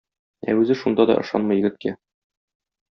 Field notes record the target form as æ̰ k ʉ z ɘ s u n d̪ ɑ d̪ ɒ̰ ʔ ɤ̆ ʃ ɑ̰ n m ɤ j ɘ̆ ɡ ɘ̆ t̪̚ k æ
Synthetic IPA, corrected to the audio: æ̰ ʉ z ɘ ʃ u n d̪ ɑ d̪ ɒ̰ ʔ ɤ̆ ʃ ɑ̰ n m ɤ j ɘ̆ ɡ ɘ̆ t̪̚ k æ